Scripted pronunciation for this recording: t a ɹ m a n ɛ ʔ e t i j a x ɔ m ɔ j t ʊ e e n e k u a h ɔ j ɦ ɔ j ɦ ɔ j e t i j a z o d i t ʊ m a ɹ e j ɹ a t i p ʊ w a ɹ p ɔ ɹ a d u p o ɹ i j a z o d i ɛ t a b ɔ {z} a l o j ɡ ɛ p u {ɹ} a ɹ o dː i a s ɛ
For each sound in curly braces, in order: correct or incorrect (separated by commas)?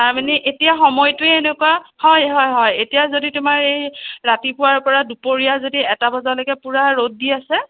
correct, correct